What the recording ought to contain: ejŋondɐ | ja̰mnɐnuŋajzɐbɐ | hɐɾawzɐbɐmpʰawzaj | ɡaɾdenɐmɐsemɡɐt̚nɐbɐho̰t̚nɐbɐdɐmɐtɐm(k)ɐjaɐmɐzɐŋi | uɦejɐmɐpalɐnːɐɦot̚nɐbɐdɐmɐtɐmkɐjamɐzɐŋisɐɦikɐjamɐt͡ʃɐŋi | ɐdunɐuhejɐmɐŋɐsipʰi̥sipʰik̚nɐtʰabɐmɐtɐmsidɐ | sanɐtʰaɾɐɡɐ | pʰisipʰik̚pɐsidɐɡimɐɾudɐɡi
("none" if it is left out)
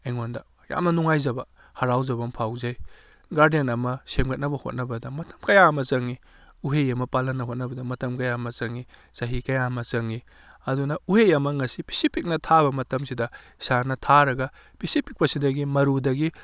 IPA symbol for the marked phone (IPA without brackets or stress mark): k